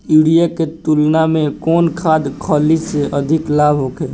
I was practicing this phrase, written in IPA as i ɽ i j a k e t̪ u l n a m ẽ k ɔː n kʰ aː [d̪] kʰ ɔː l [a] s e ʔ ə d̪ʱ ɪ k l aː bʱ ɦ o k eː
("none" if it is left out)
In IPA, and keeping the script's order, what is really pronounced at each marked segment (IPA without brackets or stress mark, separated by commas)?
d̪, i